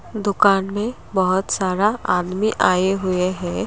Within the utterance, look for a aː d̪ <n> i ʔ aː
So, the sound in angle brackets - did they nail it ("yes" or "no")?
no